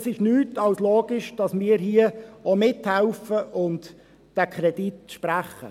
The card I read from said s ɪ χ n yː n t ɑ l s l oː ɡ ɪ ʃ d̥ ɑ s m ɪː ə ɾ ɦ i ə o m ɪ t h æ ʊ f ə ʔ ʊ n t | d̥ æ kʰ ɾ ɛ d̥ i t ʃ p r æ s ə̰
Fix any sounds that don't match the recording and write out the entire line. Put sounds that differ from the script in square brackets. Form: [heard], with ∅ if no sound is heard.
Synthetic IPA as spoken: s ɪ [ʃ] n yː [∅] t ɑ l s l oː ɡ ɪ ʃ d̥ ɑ s m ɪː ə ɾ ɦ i ə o m ɪ t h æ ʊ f ə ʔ ʊ n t | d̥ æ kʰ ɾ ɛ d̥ i t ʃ p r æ [χ] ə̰